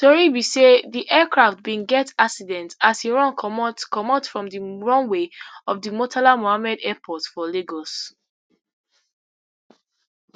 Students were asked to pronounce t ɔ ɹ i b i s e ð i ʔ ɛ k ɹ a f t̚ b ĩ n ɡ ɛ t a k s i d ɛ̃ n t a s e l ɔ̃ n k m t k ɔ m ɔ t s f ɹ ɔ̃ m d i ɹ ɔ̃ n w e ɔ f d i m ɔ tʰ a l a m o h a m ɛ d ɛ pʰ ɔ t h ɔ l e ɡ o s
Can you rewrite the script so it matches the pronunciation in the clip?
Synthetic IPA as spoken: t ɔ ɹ i b i s e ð i ʔ ɛ k ɹ a f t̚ b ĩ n ɡ ɛ t a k s i d ɛ̃ n t a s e ɹ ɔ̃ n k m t k ɔ m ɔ t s f ɹ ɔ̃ m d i ɹ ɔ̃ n w e ɔ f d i m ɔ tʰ a l a m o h a m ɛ d ɛ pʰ ɔ t f ɔ l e ɡ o s